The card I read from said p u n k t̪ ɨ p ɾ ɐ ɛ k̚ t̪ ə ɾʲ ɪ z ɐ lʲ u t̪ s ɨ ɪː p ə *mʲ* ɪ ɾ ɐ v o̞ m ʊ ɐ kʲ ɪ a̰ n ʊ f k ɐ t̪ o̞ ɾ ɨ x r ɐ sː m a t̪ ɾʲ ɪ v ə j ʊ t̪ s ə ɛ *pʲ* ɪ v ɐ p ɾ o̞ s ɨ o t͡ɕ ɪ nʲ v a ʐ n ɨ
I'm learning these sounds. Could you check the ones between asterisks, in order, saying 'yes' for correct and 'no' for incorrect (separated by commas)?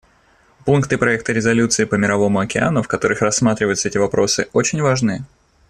yes, no